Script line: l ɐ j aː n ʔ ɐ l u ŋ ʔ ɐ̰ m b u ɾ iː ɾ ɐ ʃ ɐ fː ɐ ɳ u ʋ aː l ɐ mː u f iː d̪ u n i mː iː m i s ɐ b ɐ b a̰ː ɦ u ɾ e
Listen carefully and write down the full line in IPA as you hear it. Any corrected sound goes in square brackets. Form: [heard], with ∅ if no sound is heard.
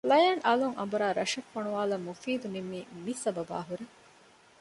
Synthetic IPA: l ɐ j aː n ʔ ɐ l u ŋ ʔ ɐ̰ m b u ɾ [aː] ɾ ɐ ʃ ɐ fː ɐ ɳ u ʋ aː l ɐ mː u f iː d̪ u n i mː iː m i s ɐ b ɐ b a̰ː ɦ u ɾ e